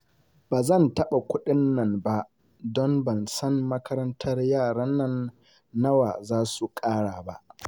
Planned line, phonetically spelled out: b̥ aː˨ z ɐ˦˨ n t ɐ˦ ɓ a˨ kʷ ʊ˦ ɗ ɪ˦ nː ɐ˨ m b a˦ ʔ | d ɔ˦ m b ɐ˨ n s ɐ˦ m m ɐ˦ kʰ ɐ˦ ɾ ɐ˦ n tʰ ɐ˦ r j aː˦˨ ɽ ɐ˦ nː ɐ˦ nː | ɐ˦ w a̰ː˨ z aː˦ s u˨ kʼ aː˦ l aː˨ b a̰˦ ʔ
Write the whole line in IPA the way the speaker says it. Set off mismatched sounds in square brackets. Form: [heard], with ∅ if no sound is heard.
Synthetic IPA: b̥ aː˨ z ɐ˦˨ n t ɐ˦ ɓ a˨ kʷ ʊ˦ ɗ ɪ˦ nː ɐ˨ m b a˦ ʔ | d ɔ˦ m b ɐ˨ n s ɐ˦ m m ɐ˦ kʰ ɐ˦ ɾ ɐ˦ n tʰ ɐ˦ r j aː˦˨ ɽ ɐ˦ nː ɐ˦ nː | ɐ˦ w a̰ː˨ z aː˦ s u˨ kʼ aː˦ [ɽ] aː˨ b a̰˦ ʔ